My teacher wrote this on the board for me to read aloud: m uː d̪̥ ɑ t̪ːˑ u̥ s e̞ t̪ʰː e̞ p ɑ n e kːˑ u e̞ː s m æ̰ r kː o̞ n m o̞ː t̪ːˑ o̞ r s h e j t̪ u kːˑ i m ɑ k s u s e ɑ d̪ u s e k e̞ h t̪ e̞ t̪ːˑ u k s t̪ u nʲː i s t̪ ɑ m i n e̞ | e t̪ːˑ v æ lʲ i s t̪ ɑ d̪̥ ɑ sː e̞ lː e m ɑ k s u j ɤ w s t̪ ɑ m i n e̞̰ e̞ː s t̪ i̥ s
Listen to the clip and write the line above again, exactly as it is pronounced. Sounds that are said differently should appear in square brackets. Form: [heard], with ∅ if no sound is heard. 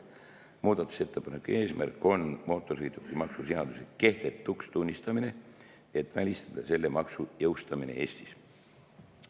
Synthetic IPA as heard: m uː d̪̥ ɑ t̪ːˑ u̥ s e̞ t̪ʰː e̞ p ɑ n e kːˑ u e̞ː s m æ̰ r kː o̞ n m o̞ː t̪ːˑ o̞ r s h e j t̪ u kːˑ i m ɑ k s u s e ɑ d̪ u s e k e̞ h t̪ e̞ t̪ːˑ u k s t̪ u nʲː i s t̪ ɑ m i n e̞ | e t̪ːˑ v æ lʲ i s t̪ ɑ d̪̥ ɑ [s] e̞ lː e m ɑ k s u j ɤ w s t̪ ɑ m i n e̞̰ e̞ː s t̪ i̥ s